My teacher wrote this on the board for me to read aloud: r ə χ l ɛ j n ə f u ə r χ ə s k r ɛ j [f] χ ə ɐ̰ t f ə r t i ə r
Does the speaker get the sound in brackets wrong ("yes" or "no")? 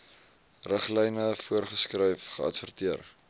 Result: no